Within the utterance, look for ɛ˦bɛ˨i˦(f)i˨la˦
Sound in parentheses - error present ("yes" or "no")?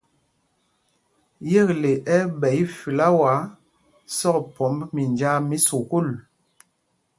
no